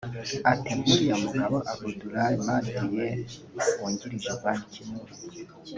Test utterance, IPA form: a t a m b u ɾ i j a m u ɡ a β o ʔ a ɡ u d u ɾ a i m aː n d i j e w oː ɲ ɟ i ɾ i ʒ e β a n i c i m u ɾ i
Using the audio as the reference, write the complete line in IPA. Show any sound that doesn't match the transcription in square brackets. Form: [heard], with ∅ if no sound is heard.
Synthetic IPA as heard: a t [e] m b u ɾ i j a m u ɡ a β o ʔ a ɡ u d u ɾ a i m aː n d i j e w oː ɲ ɟ i ɾ i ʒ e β a n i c i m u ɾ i

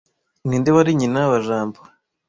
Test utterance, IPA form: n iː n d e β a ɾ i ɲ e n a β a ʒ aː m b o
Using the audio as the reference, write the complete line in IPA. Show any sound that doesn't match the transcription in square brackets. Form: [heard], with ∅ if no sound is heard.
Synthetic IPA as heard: n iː n d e β a ɾ i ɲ [i] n a β a ʒ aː m b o

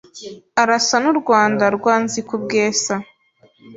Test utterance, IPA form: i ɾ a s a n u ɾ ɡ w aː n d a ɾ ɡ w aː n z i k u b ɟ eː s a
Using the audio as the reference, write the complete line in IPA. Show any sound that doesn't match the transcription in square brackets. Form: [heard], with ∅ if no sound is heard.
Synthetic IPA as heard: [a] ɾ a s a n u ɾ ɡ w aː n d a ɾ ɡ w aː n z i k u b [ɡ] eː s a

